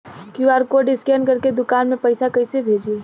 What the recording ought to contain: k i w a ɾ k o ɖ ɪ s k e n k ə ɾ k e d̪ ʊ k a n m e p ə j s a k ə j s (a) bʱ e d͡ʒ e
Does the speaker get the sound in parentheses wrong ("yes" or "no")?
yes